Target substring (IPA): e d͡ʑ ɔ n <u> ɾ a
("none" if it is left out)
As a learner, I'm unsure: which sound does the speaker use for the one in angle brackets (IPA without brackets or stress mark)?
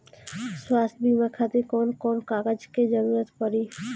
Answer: u